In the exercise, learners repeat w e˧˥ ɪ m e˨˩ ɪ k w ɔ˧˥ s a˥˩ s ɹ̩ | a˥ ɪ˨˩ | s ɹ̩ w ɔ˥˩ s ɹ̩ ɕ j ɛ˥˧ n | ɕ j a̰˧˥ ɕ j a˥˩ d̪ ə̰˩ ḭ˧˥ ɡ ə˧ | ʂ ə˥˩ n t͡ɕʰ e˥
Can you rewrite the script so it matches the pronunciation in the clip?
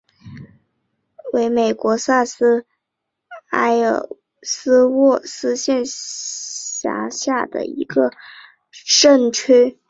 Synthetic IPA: w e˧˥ ɪ m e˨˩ ɪ k w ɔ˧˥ s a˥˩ s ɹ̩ | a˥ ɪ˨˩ | s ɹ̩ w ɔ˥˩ s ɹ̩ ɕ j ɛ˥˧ n | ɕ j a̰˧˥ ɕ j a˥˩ d̪ ə̰˩ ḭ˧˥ ɡ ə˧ | ʂ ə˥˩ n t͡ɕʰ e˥